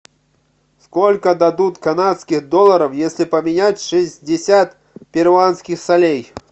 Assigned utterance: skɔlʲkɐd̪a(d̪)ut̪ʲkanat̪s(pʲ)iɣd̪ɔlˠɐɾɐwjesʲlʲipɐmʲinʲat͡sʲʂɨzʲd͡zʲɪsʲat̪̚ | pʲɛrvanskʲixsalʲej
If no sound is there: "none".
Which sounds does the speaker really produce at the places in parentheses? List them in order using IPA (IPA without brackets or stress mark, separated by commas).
d̪, kʲ